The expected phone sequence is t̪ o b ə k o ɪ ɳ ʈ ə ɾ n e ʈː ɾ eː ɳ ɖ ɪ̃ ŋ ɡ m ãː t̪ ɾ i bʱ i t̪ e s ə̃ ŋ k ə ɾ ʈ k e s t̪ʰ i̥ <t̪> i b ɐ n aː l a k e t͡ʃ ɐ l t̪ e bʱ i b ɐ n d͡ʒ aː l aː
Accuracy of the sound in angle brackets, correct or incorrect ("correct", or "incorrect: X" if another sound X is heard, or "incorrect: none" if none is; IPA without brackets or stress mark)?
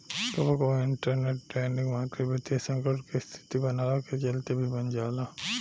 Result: correct